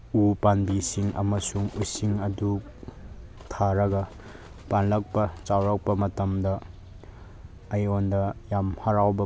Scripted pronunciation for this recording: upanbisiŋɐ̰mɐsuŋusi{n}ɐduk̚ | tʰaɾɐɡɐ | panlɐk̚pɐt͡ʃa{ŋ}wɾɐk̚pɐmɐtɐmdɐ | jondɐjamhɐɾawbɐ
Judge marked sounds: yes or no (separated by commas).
no, no